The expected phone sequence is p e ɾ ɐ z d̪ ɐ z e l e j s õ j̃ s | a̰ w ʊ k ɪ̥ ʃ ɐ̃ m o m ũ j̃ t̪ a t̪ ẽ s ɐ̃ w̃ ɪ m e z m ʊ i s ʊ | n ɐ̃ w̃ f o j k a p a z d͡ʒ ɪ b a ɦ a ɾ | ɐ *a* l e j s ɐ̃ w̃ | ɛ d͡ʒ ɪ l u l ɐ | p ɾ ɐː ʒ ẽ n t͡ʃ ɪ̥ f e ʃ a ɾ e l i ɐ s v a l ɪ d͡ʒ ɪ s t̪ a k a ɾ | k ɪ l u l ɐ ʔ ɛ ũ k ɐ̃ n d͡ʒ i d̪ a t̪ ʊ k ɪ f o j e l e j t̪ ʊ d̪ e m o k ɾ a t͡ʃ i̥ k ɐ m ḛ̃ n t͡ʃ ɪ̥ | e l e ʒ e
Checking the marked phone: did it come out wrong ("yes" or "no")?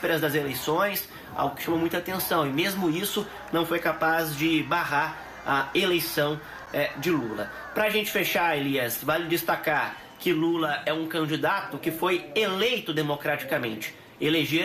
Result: yes